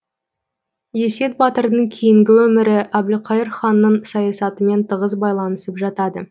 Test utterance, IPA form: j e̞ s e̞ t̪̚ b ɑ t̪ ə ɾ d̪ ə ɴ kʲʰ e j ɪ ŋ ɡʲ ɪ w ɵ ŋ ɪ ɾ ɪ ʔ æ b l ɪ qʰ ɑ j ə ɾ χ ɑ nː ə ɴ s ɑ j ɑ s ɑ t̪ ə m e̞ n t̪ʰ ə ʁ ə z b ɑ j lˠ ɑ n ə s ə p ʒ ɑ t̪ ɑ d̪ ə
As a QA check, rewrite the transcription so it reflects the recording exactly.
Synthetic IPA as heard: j e̞ s e̞ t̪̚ b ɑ t̪ ə ɾ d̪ ə ɴ kʲʰ e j ɪ ŋ ɡʲ ɪ w ɵ m ɪ ɾ ɪ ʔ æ b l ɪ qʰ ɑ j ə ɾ χ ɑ nː ə ɴ s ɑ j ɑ s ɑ t̪ ə m e̞ n t̪ʰ ə ʁ ə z b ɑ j lˠ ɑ n ə s ə p ʒ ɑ t̪ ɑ d̪ ə